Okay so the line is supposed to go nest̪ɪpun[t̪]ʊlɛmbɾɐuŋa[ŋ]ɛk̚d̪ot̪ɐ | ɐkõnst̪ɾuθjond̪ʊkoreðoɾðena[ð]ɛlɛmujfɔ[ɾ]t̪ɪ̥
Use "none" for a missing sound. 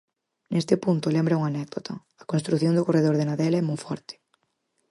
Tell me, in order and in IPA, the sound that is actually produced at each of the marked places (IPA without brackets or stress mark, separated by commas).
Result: t̪, n, ð, ɾ